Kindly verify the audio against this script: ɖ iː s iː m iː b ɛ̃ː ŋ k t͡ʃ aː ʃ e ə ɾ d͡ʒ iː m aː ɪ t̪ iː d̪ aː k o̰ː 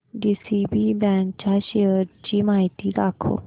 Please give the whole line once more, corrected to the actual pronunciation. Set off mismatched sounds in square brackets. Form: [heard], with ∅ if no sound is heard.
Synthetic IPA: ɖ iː s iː [b] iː b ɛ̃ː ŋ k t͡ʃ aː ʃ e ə ɾ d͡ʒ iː m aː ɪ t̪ iː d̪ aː [kʰ] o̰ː